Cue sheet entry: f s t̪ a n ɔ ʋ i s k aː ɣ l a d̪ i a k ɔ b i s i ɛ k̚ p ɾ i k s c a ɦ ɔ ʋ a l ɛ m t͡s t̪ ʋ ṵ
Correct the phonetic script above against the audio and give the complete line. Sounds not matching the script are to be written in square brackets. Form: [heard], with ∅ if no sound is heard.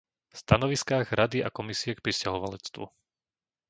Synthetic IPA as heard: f s t̪ a n ɔ ʋ i s k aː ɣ [ɾ] a d̪ i a k ɔ [m] i s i ɛ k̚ p ɾ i [∅] s c a ɦ ɔ ʋ a l ɛ [∅] t͡s t̪ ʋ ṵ